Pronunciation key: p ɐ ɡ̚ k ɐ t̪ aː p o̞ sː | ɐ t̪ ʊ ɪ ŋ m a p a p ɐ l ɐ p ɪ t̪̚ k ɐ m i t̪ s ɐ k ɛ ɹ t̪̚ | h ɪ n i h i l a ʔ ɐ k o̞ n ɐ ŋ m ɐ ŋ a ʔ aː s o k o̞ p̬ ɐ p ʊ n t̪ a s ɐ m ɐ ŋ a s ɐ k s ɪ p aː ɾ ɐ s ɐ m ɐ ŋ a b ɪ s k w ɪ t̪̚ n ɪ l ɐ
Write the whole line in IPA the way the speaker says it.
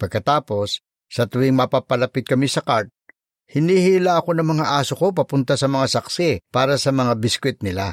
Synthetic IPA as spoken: p ɐ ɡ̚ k ɐ t̪ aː p o̞ sː | ɐ t̪ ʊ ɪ ŋ m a p a p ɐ l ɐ p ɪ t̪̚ k ɐ m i s ɐ k a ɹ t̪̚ | h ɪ n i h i l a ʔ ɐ k o̞ n ɐ ŋ m ɐ ŋ a ʔ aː s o k o̞ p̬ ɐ p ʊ n t̪ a s ɐ m ɐ ŋ a s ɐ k s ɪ p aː ɾ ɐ s ɐ m ɐ ŋ a b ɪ s k w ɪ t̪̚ n ɪ l a